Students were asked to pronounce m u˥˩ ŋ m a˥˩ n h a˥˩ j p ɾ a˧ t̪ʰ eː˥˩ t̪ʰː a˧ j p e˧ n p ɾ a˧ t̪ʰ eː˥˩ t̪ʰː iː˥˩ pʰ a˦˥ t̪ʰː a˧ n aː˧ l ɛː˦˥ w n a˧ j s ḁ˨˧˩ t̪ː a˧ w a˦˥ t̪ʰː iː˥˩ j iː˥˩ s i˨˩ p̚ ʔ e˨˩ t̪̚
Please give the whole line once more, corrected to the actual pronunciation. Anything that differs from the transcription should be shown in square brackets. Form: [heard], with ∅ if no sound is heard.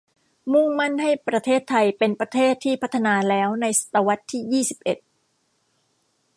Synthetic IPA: m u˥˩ ŋ m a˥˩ n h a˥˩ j p ɾ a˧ t̪ʰ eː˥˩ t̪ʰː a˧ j p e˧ n p ɾ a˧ t̪ʰ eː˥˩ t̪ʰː iː˥˩ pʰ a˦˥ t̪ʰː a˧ n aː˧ l ɛː˦˥ w n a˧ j s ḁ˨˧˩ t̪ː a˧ w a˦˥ t̪ʰː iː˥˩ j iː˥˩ s i˨˩ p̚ ʔ e˨˩ t̪̚

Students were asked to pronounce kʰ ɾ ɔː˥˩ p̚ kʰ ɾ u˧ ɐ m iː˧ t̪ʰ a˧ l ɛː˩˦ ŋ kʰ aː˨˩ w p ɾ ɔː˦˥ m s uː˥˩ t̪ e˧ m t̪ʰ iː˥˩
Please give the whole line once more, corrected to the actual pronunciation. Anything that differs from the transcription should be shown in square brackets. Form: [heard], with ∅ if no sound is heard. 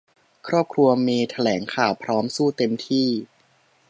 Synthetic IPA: kʰ ɾ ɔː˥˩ p̚ kʰ ɾ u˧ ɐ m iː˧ t̪ʰ a˧ l ɛː˩˦ ŋ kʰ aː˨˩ w [pʰ] ɾ ɔː˦˥ m s uː˥˩ t̪ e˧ m t̪ʰ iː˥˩

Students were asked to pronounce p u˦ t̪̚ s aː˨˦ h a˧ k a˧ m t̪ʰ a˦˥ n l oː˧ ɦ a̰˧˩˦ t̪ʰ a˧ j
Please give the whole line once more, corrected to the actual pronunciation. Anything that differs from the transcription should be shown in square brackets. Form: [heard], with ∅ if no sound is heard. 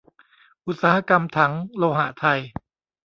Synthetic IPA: [ʔ] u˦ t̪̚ s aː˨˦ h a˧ k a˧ m t̪ʰ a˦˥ [ŋ] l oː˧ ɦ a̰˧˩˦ t̪ʰ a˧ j

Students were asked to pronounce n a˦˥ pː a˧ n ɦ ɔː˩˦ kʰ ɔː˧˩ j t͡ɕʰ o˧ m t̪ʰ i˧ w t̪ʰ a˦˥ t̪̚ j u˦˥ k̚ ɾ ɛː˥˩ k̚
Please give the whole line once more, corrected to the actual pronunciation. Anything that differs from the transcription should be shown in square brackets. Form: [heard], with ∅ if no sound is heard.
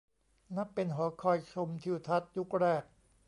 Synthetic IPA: n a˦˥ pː [e˧] n ɦ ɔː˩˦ kʰ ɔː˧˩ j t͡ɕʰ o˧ m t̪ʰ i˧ w t̪ʰ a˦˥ t̪̚ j u˦˥ k̚ ɾ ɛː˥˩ k̚

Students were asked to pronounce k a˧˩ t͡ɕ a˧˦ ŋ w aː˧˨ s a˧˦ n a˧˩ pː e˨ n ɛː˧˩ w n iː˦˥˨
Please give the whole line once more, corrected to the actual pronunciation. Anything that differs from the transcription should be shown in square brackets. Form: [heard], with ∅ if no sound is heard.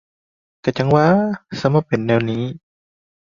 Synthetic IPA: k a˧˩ t͡ɕ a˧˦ ŋ w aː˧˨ s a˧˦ [m] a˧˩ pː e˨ [nː] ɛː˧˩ w n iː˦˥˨

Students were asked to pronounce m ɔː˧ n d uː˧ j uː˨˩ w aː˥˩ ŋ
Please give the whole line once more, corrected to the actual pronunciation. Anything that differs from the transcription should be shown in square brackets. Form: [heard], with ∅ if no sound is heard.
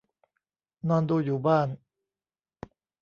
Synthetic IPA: [n] ɔː˧ n d uː˧ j uː˨˩ [b] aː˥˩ [n]

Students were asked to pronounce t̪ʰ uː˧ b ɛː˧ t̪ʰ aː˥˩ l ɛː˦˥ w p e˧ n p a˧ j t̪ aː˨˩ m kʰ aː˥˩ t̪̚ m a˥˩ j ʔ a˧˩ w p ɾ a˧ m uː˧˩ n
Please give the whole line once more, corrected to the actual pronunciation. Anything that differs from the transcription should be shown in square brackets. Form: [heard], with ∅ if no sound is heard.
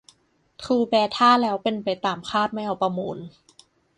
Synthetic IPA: t̪ʰ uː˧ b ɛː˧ t̪ʰ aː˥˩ l ɛː˦˥ w p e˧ n p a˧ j t̪ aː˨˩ m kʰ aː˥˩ t̪̚ m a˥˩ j ʔ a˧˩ w p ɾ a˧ m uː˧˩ n

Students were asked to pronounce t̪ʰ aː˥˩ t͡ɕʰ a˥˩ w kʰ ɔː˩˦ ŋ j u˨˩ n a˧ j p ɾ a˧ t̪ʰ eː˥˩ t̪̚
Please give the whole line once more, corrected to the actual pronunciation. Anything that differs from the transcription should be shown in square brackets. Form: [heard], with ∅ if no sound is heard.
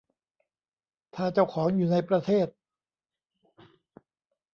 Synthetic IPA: t̪ʰ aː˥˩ [t͡ɕ] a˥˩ w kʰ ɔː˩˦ ŋ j [uː˨˩] n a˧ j p ɾ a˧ t̪ʰ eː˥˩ t̪̚

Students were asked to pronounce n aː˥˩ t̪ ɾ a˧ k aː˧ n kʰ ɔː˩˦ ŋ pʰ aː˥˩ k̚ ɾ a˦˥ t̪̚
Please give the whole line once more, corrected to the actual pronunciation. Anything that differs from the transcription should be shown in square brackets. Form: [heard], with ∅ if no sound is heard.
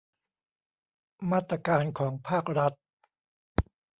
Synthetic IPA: [m] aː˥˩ t̪ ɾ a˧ k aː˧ n kʰ ɔː˩˦ ŋ pʰ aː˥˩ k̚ ɾ a˦˥ t̪̚

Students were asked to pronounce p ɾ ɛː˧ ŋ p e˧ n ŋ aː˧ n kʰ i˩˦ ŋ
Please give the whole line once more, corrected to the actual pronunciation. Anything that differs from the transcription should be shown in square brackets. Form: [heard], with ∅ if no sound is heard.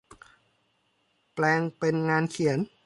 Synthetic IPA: p [l] ɛː˧ ŋ p e˧ n ŋ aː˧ n kʰ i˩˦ [n]

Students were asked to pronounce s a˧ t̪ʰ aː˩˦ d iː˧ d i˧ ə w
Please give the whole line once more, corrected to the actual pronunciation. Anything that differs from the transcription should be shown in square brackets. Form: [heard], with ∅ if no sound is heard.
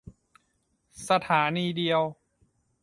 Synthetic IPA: s a˧ t̪ʰ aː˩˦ [n] iː˧ d i˧ ə w

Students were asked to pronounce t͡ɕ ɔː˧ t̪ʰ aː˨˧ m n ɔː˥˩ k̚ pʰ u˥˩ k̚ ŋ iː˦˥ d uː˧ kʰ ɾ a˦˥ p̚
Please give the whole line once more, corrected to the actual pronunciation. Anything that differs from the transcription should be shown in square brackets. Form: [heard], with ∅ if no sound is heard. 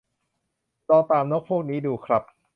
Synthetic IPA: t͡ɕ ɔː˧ [t̪] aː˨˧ m n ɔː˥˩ k̚ pʰ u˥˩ k̚ [n] iː˦˥ d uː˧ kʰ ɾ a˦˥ p̚

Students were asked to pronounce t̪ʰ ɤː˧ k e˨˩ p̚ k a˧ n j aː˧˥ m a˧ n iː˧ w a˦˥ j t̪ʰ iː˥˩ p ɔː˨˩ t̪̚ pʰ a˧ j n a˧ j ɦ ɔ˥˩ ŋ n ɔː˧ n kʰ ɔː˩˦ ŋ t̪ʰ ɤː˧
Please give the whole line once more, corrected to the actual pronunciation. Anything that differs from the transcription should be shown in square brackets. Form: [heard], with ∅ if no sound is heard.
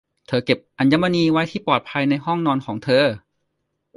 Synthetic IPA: t̪ʰ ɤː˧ k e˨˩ p̚ [ʔ] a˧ n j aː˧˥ m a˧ n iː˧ w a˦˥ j t̪ʰ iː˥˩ p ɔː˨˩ t̪̚ pʰ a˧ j n a˧ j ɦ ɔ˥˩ ŋ n ɔː˧ n kʰ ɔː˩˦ ŋ t̪ʰ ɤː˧

